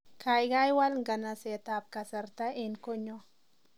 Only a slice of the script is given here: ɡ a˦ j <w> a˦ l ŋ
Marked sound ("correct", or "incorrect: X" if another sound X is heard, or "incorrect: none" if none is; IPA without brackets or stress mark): correct